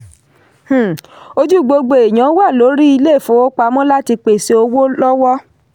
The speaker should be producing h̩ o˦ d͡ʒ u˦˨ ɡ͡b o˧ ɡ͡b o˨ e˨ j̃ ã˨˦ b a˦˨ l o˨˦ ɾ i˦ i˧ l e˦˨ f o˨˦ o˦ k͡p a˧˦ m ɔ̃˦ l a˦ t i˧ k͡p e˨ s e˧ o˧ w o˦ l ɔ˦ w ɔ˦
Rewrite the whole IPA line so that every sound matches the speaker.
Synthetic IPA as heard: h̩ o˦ d͡ʒ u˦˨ ɡ͡b o˧ ɡ͡b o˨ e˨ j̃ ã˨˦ w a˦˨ l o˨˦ ɾ i˦ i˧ l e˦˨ f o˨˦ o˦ k͡p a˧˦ m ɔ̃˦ l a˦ t i˧ k͡p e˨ s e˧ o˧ w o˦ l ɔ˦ w ɔ˦